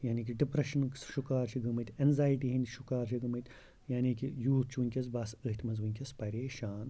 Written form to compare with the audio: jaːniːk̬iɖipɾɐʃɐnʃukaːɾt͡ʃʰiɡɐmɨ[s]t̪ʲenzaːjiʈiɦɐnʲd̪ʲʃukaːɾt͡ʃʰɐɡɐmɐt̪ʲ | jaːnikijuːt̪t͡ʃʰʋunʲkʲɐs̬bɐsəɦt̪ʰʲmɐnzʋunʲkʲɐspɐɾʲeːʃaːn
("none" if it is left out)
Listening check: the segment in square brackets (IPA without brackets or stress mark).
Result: none